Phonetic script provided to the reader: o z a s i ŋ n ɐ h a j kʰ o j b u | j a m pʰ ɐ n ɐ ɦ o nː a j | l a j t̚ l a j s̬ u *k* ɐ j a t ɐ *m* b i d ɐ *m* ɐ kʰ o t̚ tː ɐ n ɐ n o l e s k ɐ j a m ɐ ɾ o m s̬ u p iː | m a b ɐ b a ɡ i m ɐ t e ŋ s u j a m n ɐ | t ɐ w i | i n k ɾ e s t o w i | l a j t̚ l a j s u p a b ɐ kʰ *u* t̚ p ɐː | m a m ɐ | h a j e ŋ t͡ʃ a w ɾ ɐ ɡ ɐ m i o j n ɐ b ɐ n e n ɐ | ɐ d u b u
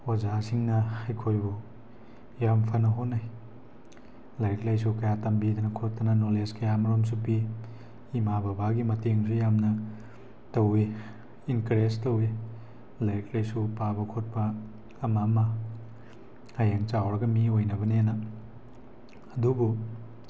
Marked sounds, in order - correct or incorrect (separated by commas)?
correct, correct, incorrect, incorrect